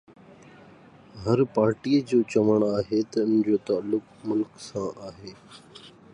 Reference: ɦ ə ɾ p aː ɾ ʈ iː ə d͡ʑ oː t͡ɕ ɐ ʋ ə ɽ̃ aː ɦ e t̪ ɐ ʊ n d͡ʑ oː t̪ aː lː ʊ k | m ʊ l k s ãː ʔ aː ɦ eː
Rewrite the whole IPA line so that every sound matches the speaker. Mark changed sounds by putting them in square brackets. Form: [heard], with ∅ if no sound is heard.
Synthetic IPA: ɦ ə ɾ p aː ɾ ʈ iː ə d͡ʑ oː t͡ɕ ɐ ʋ ə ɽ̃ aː ɦ e t̪ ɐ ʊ n d͡ʑ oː t̪ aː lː ʊ k | m ʊ l k s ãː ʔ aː ɦ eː